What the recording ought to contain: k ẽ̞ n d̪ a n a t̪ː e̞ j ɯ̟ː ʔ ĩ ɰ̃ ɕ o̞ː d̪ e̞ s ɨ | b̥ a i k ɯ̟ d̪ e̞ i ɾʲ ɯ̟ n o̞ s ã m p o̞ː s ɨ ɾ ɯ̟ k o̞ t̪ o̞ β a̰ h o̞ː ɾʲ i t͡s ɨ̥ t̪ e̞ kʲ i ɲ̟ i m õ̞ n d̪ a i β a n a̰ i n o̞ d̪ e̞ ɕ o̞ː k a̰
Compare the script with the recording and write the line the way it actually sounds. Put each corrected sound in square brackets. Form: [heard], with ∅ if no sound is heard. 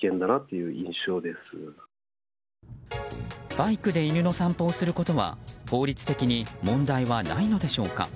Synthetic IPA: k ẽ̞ n d̪ a n a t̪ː e̞ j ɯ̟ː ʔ ĩ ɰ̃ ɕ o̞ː d̪ e̞ s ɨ | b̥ a i k ɯ̟ d̪ e̞ i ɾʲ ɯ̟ n o̞ s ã m p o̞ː s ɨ ɾ ɯ̟ k o̞ t̪ o̞ β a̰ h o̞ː ɾʲ i t͡s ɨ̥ t̪ e̞ kʲ i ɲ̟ i m õ̞ n d̪ a i β a n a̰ i n o̞ d̪ e̞ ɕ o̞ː k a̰